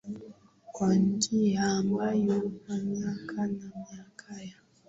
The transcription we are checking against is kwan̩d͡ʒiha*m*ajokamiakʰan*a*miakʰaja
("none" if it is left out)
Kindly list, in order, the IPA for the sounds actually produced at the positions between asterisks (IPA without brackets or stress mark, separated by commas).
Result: m, a